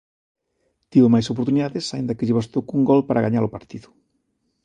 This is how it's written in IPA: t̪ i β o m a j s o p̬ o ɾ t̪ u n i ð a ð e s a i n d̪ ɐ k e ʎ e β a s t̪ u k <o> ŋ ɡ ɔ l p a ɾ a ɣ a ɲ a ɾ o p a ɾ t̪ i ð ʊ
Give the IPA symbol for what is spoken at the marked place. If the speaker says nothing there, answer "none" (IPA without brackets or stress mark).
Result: u